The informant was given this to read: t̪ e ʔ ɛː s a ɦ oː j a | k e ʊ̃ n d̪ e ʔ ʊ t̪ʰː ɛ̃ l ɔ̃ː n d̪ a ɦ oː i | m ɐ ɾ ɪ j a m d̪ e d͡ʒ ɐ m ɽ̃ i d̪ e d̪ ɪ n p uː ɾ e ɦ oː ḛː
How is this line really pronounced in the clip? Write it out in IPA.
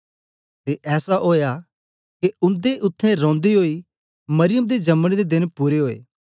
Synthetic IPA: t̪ e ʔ ɛː s a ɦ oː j a | k e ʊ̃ n d̪ e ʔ ʊ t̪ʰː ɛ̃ ɾ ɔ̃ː n d̪ i ɦ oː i | m ɐ ɾ ɪ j ə m d̪ e d͡ʒ ɐ m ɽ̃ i d̪ e d̪ ɪ n p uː ɾ e ɦ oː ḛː